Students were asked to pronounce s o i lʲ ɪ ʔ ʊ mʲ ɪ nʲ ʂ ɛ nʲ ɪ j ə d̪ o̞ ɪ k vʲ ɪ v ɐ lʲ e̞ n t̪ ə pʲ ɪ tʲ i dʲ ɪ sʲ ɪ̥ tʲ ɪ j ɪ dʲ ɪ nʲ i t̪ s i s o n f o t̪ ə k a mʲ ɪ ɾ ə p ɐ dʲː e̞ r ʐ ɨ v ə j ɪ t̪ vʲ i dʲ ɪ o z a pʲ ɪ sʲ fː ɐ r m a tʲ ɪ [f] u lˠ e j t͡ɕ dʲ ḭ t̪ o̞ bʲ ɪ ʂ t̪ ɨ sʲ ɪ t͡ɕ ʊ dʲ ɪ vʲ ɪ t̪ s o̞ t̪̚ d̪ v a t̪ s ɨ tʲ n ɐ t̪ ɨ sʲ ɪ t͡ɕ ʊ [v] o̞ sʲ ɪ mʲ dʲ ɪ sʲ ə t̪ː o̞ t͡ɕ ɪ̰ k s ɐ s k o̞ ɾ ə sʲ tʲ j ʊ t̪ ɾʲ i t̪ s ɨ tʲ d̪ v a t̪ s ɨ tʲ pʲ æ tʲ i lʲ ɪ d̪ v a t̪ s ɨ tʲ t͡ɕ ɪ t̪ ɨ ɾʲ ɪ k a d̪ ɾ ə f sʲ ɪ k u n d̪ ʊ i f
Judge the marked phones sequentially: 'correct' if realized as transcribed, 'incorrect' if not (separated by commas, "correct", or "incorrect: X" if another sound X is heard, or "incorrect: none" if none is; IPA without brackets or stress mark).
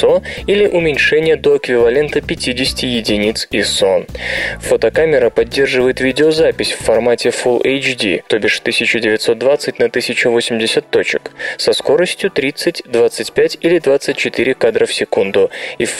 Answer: correct, correct